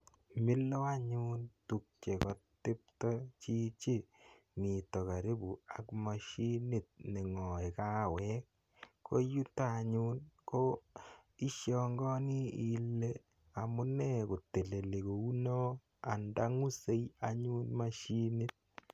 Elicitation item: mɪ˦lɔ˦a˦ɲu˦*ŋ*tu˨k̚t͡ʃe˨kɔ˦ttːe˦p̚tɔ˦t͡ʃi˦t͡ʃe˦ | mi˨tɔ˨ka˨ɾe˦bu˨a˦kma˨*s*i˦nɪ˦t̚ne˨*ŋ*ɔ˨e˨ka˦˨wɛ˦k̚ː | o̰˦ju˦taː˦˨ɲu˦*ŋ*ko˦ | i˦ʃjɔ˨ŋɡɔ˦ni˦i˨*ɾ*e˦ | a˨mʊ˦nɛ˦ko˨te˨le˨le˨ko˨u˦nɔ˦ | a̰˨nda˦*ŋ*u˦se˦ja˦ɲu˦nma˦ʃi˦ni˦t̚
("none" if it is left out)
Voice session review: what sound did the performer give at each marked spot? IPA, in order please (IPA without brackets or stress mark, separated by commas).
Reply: n, ʃ, ŋ, n, l, ŋ